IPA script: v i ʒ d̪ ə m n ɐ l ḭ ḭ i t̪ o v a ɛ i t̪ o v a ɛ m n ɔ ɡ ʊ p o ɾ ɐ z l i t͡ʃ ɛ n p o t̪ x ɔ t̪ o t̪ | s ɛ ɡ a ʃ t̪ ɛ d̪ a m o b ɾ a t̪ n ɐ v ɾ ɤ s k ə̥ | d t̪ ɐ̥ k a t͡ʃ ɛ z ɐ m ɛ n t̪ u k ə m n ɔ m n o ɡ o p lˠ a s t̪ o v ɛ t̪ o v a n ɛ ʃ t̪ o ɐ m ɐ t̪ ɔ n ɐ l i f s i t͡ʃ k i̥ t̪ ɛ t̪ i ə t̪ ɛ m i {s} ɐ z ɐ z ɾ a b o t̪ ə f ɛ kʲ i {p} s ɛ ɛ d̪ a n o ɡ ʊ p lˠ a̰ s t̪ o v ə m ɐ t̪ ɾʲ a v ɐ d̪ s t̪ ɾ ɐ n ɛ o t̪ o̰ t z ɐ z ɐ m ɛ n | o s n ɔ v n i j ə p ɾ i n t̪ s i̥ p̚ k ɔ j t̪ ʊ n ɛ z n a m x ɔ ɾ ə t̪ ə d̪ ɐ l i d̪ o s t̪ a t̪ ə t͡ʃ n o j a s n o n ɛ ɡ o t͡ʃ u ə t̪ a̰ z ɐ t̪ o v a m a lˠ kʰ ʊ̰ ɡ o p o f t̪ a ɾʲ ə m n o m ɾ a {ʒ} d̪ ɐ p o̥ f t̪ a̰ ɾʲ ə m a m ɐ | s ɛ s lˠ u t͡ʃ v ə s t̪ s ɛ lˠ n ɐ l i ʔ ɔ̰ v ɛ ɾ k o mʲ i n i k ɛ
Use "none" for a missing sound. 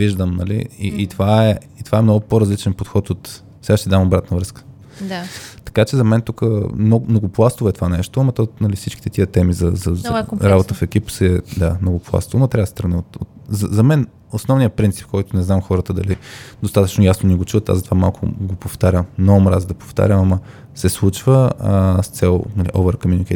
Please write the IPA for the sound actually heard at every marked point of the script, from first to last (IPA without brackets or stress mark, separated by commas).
z, p, z